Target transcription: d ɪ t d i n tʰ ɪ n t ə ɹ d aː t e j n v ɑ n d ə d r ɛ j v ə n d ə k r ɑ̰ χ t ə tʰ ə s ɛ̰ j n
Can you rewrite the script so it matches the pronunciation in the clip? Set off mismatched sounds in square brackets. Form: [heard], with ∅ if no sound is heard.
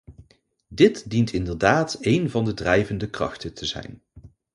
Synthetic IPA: d ɪ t d i n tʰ ɪ n [d] ə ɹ d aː t e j n v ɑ n d ə d r ɛ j v ə n d ə k r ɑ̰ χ t ə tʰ ə [z] ɛ̰ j n